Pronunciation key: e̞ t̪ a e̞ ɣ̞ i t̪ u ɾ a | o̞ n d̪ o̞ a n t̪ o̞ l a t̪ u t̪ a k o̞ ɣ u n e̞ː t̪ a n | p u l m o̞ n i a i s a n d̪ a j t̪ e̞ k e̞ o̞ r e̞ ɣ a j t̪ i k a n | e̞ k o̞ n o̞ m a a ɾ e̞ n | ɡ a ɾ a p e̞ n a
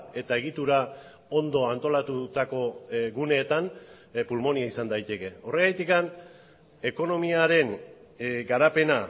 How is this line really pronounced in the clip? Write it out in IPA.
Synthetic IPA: e̞ t̪ a e̞ ɣ̞ i t̪ u ɾ a | o̞ n d̪ o̞ a n t̪ o̞ l a t̪ u t̪ a k o̞ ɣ u n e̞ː t̪ a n | p u l m o̞ n i a i s a n d̪ a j t̪ e̞ k e̞ o̞ r e̞ ɣ a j t̪ i k a n | e̞ k o̞ n o̞ m i a ɾ e̞ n | ɡ a ɾ a p e̞ n a